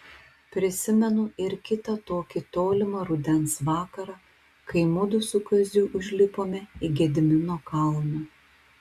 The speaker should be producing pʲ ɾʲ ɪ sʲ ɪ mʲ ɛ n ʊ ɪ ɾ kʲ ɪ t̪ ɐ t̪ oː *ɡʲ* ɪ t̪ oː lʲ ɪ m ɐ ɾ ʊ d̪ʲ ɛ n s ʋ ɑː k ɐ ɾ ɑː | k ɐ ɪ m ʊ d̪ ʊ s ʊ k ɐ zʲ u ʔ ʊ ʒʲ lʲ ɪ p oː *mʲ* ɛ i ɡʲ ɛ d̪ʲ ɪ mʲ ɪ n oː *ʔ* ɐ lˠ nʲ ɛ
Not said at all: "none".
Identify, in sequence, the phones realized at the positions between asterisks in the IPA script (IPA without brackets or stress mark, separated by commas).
kʲ, mʲ, k